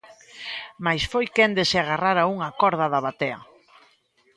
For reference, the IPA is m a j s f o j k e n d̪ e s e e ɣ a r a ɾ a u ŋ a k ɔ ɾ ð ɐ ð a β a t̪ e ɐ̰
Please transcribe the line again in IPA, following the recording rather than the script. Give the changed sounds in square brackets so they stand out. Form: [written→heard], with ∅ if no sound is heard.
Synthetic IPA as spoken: m a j s f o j k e n d̪ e s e [e→a] ɣ a r a ɾ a u ŋ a k ɔ ɾ ð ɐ ð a β a t̪ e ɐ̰